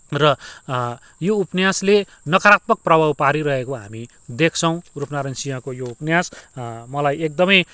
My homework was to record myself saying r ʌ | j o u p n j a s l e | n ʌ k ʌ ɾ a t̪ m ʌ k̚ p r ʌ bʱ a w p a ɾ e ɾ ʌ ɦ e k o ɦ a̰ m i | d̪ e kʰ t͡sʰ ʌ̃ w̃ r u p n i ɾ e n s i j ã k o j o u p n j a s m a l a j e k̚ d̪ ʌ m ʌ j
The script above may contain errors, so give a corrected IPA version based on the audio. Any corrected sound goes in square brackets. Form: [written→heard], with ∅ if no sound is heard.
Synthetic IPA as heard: r ʌ | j o u p n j a s l e | n ʌ k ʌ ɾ a t̪ m ʌ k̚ p r ʌ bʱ a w p a ɾ [e→i] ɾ ʌ ɦ e k o ɦ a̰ m i | d̪ e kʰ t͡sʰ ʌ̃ w̃ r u p n [i→a] ɾ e n s i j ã k o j o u p n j a s m [a→ʌ] l a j e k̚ d̪ ʌ m ʌ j

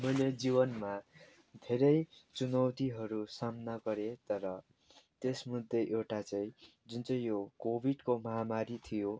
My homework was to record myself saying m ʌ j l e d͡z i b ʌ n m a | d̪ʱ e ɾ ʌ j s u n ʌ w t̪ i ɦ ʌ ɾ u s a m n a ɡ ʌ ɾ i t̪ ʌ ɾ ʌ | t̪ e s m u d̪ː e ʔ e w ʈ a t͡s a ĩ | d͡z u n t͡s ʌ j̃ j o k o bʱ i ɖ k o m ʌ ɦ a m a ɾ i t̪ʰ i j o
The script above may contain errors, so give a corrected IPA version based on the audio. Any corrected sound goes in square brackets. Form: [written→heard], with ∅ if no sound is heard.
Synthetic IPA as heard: m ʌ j l e d͡z i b ʌ n m a | d̪ʱ e ɾ ʌ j [s→t͡s] u n ʌ w t̪ i ɦ ʌ ɾ u s a m n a ɡ ʌ ɾ [i→e] t̪ ʌ ɾ ʌ | t̪ e s m u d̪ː e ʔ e w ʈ a t͡s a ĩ | d͡z u n t͡s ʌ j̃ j o k o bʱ i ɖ k o m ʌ ɦ a m a ɾ i t̪ʰ i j o

